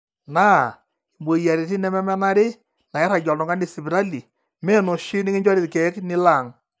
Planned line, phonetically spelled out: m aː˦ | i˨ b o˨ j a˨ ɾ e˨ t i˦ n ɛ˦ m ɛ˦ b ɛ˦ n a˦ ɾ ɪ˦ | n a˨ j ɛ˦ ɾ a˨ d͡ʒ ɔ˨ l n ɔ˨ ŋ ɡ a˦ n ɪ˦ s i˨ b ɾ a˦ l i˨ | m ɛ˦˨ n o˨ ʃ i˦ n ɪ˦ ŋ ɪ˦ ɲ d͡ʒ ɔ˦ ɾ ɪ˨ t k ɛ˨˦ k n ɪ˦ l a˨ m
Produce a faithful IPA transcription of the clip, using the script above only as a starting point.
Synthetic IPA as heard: n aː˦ | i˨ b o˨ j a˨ ɾ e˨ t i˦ n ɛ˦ m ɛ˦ m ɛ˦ n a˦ ɾ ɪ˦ | n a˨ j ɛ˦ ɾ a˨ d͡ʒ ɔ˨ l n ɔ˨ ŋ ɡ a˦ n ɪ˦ s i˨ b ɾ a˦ l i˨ | m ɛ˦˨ n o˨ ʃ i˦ n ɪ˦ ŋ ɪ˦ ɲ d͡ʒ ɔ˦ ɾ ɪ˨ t k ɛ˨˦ k n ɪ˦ l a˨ ŋ